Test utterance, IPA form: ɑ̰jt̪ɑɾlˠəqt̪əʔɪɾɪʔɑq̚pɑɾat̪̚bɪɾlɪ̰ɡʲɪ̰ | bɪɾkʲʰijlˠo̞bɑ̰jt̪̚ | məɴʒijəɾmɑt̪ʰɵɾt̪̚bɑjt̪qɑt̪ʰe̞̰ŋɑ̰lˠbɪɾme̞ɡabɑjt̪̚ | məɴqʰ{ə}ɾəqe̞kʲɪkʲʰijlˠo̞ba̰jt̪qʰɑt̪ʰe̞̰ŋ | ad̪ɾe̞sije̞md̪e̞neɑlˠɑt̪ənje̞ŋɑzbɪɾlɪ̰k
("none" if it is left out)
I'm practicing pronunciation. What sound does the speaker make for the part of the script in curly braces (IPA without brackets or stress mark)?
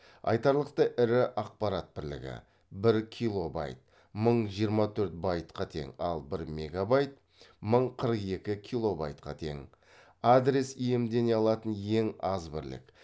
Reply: ə